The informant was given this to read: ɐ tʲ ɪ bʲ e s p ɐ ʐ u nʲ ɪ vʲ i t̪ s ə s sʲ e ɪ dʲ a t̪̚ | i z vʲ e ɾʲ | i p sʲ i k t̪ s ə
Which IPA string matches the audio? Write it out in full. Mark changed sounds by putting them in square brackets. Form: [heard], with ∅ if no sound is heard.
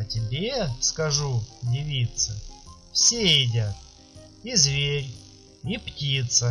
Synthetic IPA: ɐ tʲ ɪ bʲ e s [k] ɐ ʐ u [dʲ] ɪ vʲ i t̪ s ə [f] sʲ e ɪ dʲ a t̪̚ | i z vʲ e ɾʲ | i p [tʲ] i [∅] t̪ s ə